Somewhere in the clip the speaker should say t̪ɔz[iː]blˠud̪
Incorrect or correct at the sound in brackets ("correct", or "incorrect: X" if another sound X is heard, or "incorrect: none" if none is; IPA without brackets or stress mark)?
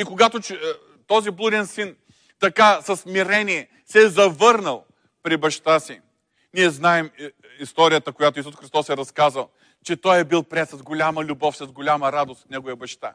incorrect: i